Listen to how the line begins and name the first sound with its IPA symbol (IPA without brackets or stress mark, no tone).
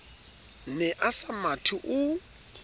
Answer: n